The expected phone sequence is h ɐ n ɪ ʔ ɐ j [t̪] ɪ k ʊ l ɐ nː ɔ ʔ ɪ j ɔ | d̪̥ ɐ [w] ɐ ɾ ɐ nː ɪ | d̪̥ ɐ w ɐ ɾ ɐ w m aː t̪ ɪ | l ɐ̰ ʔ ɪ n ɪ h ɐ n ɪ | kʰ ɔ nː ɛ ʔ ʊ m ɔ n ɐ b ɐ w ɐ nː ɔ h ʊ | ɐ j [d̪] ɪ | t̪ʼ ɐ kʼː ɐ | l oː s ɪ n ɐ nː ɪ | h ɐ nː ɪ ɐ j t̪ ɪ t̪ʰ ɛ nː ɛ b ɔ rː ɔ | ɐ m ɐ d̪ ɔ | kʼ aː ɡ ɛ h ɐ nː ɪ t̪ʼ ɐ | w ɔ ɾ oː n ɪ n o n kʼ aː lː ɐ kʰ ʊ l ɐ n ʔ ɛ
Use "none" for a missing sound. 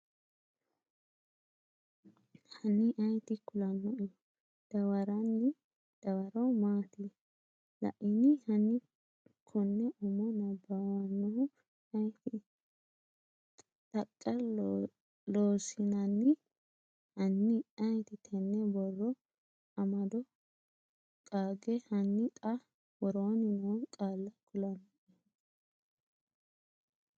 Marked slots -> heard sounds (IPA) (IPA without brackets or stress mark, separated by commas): t̪, w, t̪